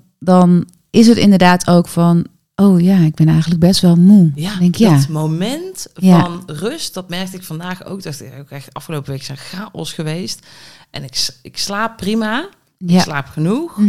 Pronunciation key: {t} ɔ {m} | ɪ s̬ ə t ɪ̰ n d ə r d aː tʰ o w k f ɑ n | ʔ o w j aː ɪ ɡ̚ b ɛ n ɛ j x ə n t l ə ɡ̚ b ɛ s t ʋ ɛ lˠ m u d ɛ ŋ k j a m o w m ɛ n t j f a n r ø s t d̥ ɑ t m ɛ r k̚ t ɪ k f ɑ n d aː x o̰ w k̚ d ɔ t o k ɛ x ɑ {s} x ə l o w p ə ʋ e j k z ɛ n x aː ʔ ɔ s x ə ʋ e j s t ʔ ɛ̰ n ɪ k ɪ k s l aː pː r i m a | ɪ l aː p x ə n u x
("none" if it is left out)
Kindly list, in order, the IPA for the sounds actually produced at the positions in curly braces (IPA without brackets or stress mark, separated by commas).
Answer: d, n, f